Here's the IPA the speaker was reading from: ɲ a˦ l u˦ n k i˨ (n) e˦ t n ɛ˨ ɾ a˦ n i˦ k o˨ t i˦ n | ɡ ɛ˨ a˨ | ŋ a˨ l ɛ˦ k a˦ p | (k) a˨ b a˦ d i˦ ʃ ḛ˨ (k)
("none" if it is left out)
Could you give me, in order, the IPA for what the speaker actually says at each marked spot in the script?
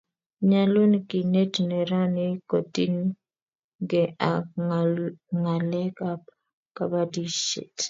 n, k, t

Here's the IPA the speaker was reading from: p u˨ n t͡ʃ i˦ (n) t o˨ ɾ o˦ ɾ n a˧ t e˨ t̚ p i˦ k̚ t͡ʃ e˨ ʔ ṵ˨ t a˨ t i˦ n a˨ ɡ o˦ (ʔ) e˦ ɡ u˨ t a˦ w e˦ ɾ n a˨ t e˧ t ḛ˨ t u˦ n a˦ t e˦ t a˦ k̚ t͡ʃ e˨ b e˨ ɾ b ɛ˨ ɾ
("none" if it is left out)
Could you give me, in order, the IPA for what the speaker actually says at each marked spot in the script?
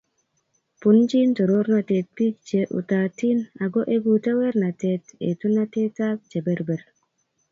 n, ʔ

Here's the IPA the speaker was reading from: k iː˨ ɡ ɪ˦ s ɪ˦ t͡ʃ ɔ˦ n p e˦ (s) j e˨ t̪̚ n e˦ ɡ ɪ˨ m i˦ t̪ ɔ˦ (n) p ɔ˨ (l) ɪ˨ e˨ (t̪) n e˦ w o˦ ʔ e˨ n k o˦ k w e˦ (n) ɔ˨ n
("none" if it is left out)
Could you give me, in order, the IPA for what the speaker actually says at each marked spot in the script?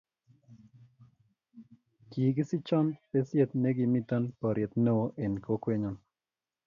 s, n, ɾ, t̪, ɲ

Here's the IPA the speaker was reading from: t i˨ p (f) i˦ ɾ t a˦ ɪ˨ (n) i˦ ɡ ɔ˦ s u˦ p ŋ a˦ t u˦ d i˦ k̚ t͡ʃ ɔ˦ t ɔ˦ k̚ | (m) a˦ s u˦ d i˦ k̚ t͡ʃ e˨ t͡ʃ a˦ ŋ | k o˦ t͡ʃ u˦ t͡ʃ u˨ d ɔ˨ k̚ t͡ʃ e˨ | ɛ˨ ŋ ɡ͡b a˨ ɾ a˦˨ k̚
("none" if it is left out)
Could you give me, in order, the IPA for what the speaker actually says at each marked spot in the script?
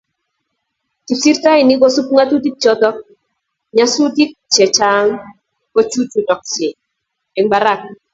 s, n, ɲ

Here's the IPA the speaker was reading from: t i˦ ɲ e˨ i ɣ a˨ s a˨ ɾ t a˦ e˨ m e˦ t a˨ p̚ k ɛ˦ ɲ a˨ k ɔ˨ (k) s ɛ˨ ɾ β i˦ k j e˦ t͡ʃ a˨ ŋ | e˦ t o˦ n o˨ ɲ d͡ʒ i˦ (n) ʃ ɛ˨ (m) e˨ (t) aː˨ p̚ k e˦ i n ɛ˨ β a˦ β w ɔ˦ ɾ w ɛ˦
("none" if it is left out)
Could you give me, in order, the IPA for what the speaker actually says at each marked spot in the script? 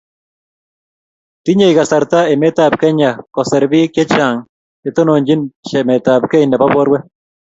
none, n, m, t

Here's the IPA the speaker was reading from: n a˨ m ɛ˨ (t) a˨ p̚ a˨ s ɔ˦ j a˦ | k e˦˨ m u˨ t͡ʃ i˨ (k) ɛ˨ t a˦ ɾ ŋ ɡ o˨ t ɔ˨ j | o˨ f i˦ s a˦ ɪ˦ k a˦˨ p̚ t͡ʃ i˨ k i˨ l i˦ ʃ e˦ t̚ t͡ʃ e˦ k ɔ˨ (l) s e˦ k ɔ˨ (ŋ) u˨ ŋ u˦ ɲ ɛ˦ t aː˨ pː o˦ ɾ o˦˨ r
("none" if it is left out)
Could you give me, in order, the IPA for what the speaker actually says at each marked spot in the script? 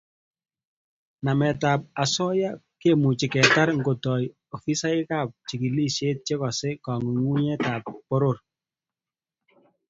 t, k, none, ŋ

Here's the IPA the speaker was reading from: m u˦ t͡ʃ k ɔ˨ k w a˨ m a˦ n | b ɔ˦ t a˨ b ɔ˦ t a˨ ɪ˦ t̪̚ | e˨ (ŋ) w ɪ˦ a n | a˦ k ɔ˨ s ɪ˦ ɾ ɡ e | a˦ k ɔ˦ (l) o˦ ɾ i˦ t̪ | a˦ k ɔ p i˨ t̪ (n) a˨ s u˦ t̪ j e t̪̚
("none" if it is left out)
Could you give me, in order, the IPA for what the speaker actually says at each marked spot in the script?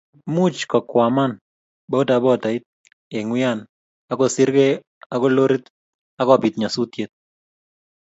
ŋ, l, ɲ

